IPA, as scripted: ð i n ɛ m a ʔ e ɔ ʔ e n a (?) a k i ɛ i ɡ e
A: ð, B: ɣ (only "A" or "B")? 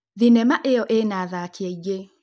A